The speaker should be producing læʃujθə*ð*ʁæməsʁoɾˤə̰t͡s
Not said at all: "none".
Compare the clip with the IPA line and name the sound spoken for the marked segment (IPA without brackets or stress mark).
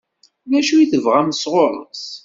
v